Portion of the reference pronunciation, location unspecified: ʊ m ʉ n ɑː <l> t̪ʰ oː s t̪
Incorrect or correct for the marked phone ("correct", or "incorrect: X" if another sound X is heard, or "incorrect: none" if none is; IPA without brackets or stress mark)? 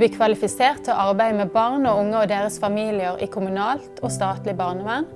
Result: correct